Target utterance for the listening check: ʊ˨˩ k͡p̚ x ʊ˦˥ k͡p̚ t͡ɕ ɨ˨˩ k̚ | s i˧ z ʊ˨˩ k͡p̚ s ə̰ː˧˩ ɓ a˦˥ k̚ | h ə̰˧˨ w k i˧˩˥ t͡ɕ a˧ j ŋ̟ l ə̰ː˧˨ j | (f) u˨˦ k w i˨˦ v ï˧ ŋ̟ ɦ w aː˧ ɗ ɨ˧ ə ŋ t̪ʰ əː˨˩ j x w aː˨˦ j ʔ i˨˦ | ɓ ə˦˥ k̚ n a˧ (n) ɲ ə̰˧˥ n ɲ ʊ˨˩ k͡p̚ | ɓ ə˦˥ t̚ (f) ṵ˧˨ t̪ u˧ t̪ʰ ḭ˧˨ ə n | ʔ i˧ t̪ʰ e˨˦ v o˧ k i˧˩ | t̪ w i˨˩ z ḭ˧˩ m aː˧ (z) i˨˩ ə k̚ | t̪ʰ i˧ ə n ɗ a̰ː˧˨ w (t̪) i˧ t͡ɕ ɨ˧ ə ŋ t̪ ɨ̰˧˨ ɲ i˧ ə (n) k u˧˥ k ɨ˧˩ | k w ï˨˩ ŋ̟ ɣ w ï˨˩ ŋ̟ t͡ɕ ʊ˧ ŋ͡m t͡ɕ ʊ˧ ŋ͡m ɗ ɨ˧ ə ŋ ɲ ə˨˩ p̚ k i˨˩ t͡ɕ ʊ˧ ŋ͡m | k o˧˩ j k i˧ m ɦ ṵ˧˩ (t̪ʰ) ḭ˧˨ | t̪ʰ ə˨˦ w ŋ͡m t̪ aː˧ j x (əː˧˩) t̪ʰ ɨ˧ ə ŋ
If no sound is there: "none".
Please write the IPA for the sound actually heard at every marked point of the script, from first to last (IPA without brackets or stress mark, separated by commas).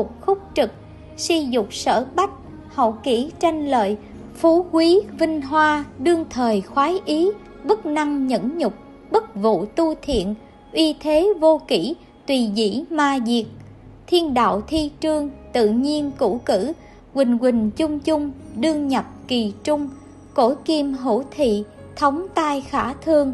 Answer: f, ŋ, v, z, t̪ʰ, n, t̪ʰ, aː˧˩